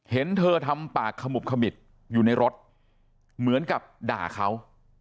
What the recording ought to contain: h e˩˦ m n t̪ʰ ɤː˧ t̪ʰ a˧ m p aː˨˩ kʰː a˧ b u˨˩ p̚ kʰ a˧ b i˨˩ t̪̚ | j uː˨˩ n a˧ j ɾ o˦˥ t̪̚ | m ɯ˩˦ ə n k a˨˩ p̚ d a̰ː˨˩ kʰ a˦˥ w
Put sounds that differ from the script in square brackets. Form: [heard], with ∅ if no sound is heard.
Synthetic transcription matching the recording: h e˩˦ [∅] n t̪ʰ ɤː˧ t̪ʰ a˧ m p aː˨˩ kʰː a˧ [m] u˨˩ p̚ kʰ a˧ [m] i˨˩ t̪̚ | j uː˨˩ n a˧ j ɾ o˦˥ t̪̚ | m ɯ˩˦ ə n k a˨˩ p̚ d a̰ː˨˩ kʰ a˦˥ w